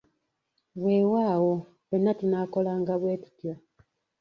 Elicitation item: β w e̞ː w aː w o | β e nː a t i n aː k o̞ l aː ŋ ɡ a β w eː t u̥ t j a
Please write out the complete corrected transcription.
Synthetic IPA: β w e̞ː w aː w o | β e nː a t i n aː k o̞ l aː ŋ ɡ a β w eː t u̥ t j a